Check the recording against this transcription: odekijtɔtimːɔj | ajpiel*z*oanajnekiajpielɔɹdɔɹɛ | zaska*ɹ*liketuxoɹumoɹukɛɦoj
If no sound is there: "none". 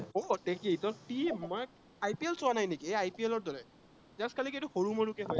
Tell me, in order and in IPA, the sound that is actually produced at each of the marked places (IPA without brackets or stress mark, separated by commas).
s, none